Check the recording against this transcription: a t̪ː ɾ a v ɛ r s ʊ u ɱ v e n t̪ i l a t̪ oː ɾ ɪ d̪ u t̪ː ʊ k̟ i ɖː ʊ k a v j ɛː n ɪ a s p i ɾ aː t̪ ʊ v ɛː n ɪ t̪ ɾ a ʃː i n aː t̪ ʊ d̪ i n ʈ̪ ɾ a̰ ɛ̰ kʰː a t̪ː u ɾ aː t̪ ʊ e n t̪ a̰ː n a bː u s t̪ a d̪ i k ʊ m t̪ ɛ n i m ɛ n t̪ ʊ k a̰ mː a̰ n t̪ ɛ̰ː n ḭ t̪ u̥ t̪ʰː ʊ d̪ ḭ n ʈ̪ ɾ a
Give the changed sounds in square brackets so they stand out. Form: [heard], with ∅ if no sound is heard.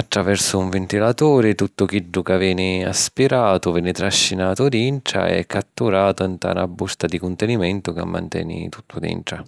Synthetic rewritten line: a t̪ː ɾ a v ɛ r s ʊ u ɱ v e n t̪ i l a t̪ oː ɾ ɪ [t̪] u t̪ː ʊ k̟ i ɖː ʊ k a v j ɛː n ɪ a s p i ɾ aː t̪ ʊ v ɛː n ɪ t̪ ɾ a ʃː i n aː t̪ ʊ d̪ i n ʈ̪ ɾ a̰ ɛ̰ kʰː a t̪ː u ɾ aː t̪ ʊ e n t̪ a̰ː n a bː u s t̪ a d̪ i k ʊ [n] t̪ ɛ n i m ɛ n t̪ ʊ k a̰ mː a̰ n t̪ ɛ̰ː n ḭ t̪ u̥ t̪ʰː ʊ d̪ ḭ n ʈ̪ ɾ a